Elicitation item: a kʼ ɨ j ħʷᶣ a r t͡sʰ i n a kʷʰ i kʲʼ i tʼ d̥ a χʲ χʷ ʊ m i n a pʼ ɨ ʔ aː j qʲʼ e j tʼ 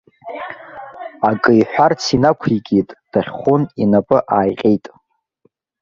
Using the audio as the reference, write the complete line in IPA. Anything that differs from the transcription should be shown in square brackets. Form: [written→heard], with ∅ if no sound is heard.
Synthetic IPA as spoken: a kʼ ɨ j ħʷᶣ a r t͡sʰ i n a kʷʰ i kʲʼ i tʼ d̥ a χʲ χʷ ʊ [m→n] i n a pʼ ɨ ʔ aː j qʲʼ e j tʼ